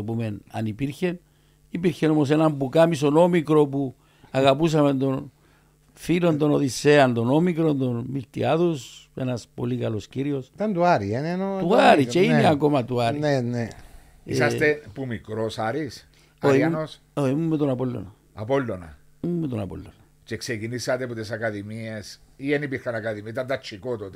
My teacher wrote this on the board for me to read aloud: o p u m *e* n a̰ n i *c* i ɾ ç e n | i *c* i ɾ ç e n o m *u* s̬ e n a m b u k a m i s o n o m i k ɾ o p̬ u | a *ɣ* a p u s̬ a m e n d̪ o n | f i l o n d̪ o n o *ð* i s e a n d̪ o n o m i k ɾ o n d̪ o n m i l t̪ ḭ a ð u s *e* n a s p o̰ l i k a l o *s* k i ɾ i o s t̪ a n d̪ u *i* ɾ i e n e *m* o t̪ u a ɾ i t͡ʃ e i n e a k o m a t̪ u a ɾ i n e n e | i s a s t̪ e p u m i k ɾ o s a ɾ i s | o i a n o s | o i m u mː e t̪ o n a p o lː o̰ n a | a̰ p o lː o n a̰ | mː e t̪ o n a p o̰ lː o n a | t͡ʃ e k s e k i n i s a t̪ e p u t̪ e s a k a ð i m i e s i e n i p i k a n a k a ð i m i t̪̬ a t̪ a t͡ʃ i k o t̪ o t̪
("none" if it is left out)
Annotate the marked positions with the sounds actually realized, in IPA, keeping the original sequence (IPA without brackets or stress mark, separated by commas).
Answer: e, p, p, o, ɣ, ð, e, s, a, n